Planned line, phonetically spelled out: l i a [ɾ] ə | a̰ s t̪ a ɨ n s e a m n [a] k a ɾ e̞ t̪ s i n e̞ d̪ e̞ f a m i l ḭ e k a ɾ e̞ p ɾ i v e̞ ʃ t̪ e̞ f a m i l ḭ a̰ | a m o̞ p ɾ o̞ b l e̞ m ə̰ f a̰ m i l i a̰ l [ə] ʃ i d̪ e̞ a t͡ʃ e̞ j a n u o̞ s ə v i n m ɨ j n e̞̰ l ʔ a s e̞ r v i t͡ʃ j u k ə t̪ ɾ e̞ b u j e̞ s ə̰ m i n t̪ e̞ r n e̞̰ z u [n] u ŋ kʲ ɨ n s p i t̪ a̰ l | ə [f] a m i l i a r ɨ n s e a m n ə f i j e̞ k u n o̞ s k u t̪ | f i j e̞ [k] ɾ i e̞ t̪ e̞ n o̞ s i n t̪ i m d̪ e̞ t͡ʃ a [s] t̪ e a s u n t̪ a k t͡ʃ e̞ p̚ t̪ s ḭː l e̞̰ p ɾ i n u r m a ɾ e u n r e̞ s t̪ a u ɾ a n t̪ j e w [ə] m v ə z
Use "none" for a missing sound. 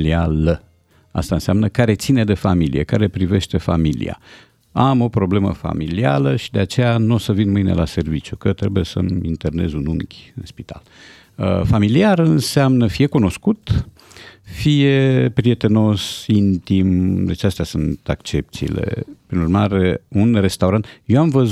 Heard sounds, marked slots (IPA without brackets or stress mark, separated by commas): l, ə, ə, n, f, p, s, a